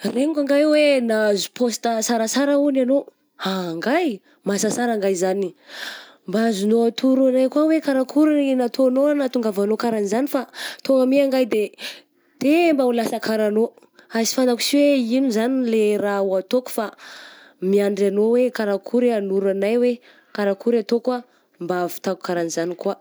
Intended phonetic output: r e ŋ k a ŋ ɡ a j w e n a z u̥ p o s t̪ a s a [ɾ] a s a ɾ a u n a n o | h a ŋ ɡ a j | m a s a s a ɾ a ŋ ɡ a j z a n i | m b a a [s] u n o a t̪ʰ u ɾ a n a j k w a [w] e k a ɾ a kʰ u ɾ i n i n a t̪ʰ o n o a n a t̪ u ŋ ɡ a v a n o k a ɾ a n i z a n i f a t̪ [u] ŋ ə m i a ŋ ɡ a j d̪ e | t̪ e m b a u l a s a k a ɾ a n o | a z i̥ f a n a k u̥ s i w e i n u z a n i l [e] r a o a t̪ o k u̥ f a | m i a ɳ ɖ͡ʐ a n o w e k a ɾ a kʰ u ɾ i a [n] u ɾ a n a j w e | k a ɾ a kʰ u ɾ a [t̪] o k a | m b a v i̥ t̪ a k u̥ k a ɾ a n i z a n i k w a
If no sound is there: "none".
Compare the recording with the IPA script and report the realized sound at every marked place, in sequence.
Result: ɾ, z, w, o, e, n, t̪

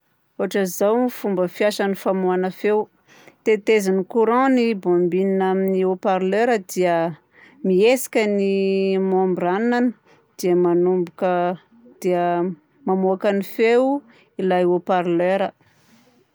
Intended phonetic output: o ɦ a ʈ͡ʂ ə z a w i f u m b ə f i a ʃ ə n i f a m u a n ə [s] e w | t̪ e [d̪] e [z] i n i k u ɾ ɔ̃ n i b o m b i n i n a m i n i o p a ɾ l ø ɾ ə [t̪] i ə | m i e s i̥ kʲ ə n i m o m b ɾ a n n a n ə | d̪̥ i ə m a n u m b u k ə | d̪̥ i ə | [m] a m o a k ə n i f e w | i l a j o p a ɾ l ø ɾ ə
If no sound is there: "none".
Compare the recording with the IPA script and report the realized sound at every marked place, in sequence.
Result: f, t̪, z, d̪, m

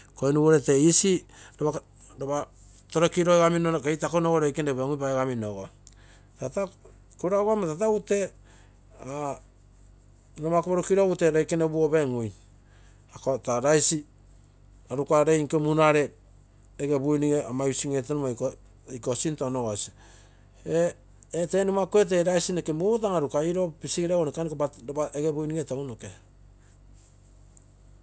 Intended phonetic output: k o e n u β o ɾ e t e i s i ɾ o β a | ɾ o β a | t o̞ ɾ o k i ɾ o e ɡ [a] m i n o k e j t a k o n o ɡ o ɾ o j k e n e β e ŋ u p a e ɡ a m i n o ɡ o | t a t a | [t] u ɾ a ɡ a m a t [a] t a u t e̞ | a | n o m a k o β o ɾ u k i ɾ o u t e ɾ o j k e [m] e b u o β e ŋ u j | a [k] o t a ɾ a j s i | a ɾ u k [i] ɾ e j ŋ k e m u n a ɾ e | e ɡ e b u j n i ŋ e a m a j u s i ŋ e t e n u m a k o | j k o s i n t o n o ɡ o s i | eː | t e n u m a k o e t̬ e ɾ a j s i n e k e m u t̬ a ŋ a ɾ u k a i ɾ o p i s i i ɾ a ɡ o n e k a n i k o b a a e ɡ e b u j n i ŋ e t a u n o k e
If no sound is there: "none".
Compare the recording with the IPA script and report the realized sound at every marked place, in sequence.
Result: a, k, a, n, k, a

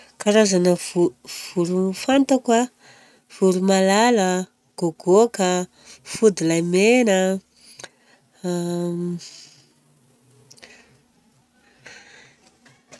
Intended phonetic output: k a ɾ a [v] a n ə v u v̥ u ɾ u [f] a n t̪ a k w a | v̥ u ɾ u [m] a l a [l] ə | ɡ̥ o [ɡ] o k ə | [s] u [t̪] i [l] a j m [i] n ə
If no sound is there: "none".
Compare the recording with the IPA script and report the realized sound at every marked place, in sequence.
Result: z, f, m, l, ɡ, f, d̪, l, e

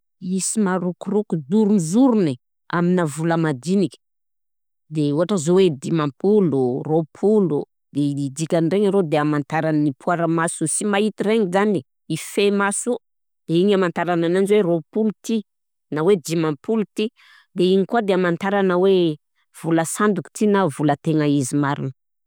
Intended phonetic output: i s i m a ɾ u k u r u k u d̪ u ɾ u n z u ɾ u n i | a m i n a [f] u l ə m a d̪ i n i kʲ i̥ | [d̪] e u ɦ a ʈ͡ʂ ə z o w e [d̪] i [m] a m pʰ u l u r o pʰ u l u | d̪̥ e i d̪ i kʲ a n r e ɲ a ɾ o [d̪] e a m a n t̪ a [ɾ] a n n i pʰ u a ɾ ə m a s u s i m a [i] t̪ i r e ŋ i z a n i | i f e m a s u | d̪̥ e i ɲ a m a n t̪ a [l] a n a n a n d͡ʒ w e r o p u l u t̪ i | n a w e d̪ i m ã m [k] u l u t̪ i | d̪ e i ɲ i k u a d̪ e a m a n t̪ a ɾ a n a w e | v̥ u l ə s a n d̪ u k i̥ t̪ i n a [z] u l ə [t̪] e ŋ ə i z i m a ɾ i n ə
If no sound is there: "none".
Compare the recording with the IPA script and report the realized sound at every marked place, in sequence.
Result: v, d̪, d̪, m, d̪, ɾ, i, ɾ, p, v, t̪

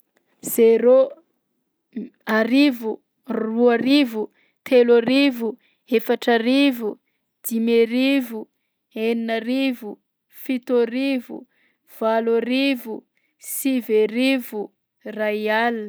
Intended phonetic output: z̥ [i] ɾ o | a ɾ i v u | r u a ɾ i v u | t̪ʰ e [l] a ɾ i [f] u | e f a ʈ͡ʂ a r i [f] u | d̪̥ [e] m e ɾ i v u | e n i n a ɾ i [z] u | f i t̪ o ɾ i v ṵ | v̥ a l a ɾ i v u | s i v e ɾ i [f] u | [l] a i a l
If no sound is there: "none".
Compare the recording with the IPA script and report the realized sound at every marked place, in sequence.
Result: e, l, v, v, i, v, v, r

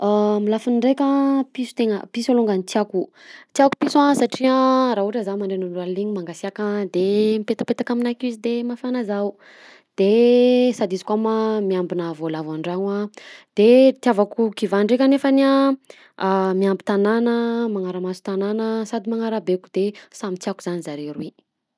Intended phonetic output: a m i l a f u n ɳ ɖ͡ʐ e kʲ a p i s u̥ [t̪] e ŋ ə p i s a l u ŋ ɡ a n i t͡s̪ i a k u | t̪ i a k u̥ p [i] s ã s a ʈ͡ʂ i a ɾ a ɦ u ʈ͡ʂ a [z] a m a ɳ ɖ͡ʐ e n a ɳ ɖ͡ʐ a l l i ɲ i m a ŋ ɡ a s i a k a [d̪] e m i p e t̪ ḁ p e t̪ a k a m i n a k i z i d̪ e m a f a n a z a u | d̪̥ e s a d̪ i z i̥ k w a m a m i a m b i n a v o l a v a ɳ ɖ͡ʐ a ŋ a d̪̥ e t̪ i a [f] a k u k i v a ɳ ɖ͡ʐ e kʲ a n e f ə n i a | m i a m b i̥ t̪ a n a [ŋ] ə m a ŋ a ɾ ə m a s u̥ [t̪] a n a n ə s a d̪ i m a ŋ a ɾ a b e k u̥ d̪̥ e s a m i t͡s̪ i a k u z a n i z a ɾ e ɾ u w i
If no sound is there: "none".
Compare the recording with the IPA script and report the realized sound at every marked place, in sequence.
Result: t̪, i, z, d̪, v, n, t̪

